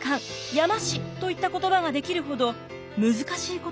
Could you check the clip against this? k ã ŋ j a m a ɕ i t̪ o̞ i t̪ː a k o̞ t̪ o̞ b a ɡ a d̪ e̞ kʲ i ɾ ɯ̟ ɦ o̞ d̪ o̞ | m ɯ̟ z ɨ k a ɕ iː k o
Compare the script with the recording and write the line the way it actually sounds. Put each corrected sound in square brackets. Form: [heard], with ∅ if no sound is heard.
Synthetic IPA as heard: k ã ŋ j a m a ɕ i t̪ o̞ i t̪ː a k o̞ t̪ o̞ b a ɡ a d̪ e̞ kʲ i ɾ ɯ̟ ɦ o̞ d̪ o̞ | m ɯ̟ z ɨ k a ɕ iː k o